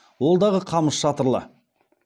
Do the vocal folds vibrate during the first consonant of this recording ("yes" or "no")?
yes